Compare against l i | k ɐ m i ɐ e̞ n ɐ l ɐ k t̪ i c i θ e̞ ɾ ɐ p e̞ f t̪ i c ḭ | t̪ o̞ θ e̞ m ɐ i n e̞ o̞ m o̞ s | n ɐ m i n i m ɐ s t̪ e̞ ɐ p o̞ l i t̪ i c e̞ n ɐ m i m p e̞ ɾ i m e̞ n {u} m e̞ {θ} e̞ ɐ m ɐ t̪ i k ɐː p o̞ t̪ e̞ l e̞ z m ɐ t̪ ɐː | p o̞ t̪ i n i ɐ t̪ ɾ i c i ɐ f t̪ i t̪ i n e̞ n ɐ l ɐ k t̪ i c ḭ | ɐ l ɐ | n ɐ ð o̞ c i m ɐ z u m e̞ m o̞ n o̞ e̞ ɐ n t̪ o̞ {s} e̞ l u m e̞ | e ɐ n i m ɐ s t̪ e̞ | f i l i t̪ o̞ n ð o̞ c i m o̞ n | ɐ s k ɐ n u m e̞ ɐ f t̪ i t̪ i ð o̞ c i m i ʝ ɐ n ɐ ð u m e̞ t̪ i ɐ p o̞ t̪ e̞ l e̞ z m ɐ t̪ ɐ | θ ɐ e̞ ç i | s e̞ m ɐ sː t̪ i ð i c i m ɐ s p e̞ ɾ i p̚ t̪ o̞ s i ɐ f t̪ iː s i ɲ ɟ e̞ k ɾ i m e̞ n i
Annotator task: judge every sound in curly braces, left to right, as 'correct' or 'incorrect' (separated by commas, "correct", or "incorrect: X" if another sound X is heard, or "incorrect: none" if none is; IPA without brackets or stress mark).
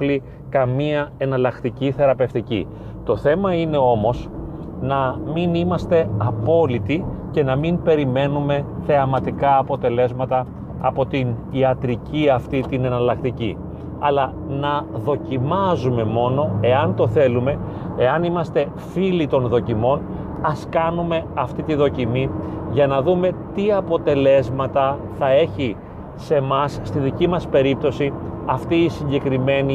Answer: correct, correct, incorrect: θ